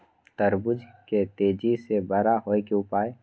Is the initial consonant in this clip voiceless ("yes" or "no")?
yes